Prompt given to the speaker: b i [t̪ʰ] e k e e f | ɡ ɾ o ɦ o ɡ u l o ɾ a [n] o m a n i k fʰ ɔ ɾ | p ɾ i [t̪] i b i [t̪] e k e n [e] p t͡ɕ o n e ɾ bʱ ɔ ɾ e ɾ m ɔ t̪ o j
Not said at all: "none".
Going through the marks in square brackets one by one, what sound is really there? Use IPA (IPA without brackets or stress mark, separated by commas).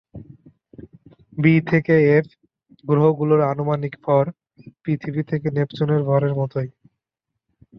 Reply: t̪ʰ, n, t̪ʰ, t̪ʰ, e